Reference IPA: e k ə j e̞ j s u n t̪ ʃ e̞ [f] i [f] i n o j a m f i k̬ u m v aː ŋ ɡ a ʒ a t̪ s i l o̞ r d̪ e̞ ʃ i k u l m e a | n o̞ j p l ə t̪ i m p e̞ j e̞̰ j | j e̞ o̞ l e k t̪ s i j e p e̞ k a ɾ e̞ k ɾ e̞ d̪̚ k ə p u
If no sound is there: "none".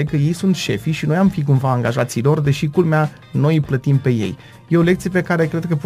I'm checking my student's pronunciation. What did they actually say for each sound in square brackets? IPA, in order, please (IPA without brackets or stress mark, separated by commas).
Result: f, ʃ